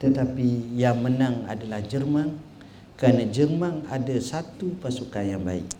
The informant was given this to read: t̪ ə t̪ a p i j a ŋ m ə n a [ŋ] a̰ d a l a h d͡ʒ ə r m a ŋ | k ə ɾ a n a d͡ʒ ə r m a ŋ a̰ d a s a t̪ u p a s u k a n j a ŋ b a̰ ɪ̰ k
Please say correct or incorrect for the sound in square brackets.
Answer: correct